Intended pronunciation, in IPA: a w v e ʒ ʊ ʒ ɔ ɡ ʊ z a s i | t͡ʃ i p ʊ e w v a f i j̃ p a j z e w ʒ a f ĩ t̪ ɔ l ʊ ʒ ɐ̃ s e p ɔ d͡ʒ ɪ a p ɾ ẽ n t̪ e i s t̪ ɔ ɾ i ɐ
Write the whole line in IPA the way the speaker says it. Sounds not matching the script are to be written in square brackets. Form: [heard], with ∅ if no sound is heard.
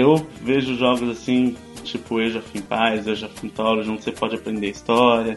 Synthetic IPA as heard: [e] w v e ʒ ʊ ʒ ɔ ɡ ʊ z a s [ĩ] | t͡ʃ i p ʊ e w [ʒ] a f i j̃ p a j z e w ʒ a f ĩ t̪ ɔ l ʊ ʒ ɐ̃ s e p ɔ d͡ʒ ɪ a p ɾ ẽ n [d̪] e i s t̪ ɔ ɾ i ɐ